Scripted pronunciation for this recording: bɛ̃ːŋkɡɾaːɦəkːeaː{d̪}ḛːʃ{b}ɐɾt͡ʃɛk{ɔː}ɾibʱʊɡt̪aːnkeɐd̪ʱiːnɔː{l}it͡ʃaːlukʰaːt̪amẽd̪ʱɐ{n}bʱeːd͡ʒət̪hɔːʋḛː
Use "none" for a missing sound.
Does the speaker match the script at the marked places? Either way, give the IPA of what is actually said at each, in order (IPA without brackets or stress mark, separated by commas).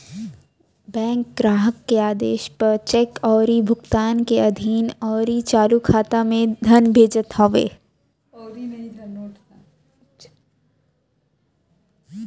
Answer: d̪, p, ɔː, ɾ, n